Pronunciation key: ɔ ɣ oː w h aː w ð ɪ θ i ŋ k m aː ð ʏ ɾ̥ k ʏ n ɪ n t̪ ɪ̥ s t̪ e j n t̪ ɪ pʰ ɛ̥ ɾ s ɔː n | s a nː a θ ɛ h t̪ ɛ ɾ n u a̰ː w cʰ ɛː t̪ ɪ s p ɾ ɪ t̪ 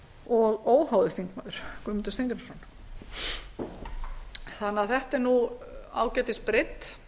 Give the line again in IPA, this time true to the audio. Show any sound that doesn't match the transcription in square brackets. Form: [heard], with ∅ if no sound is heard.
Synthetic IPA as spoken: ɔ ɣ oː w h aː w ð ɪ θ i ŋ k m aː ð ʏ ɾ̥ k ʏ [m] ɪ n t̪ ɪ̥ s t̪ e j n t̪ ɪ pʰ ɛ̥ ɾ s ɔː n | [θ] a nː a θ ɛ h t̪ ɛ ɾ n u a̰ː w [c] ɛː t̪ ɪ s p ɾ ɪ t̪